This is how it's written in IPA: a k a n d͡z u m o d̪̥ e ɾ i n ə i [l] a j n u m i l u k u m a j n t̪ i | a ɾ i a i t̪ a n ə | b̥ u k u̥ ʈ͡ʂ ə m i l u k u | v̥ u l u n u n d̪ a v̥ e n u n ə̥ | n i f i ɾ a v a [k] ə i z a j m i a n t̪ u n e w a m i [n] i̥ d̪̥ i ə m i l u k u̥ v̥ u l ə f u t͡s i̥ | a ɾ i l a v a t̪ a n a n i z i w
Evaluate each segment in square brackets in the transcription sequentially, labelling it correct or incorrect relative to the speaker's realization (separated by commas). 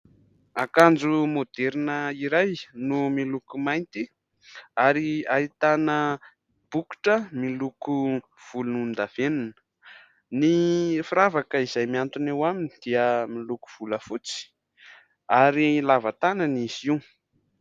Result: incorrect, correct, correct